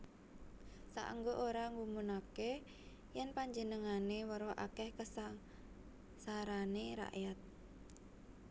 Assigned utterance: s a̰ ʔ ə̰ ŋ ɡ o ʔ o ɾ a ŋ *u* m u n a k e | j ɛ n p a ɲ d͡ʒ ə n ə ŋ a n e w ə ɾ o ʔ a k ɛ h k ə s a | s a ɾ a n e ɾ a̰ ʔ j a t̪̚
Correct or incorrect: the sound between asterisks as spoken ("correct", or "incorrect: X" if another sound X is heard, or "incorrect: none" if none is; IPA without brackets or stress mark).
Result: correct